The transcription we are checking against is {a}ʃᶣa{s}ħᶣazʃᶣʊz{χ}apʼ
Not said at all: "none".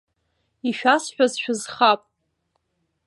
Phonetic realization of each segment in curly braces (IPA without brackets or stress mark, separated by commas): i, s, χ